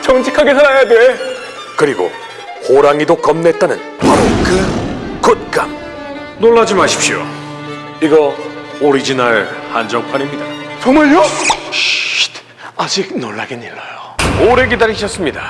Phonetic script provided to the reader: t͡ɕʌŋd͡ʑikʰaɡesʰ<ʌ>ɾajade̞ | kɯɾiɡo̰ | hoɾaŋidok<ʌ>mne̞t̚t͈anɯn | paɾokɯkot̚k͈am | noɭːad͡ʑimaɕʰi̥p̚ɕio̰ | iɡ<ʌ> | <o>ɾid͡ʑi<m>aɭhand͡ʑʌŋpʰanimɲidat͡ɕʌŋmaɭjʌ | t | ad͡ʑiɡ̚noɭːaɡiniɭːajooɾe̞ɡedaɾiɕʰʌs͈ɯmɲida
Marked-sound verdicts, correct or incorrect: incorrect, correct, correct, correct, incorrect

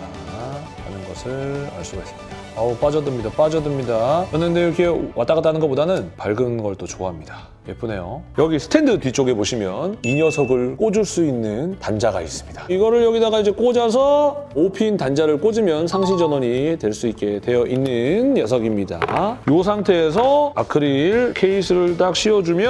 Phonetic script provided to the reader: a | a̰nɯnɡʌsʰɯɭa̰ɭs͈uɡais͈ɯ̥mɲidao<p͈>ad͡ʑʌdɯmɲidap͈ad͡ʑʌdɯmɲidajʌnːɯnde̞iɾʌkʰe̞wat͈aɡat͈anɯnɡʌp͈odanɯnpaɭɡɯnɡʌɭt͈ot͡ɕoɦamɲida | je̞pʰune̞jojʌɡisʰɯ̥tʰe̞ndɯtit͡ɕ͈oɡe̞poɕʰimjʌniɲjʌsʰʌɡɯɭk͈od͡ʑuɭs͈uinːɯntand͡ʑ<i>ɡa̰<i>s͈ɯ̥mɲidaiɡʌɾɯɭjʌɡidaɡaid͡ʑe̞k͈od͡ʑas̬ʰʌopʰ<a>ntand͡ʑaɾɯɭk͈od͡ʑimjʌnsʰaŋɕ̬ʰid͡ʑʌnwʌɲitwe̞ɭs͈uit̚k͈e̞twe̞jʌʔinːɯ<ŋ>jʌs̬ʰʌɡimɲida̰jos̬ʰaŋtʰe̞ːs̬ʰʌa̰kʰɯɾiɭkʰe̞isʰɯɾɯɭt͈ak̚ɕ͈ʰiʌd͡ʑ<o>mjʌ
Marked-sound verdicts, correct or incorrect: correct, incorrect, correct, incorrect, incorrect, incorrect

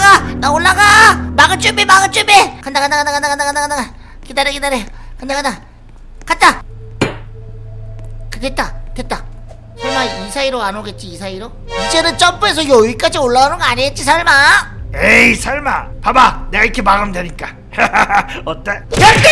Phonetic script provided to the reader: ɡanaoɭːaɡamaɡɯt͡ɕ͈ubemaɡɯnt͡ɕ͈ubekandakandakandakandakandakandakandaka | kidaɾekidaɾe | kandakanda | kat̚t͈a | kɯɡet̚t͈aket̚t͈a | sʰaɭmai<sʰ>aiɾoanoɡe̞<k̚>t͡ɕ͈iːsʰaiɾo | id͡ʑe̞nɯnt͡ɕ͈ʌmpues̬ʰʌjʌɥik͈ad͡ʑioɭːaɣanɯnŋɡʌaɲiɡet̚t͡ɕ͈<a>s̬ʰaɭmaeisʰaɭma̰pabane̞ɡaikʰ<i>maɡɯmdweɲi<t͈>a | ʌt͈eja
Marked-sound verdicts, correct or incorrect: correct, incorrect, incorrect, incorrect, incorrect

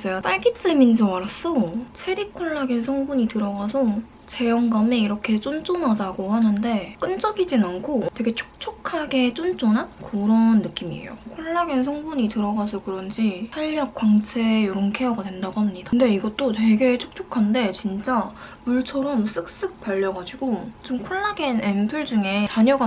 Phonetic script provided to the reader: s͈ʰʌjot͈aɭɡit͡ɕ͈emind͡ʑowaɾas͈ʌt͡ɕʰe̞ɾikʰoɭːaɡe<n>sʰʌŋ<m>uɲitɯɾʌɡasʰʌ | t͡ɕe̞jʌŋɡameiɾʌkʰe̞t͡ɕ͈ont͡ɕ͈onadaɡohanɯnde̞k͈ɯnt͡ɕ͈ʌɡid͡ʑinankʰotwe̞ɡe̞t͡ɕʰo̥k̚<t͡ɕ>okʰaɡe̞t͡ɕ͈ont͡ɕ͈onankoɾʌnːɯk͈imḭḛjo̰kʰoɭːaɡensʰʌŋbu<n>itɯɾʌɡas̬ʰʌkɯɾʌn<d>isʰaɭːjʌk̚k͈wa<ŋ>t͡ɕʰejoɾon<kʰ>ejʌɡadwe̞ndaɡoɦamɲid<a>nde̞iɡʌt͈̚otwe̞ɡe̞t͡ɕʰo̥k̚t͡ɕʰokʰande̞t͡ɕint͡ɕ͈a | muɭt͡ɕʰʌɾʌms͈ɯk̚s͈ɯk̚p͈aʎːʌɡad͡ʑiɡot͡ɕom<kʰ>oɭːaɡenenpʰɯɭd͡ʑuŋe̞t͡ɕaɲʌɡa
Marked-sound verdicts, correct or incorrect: correct, incorrect, incorrect, incorrect, incorrect, correct, correct, correct, correct

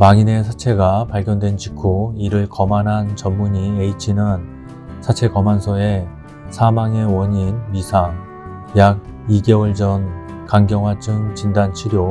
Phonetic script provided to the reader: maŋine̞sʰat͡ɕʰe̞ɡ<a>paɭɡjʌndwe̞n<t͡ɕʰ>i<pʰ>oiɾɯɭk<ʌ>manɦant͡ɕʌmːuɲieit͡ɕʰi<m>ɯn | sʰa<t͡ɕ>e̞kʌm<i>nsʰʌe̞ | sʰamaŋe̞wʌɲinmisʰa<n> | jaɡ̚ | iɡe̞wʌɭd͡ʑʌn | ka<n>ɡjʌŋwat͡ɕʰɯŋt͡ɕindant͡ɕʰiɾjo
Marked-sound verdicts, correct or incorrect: correct, incorrect, incorrect, correct, incorrect, incorrect, incorrect, incorrect, incorrect

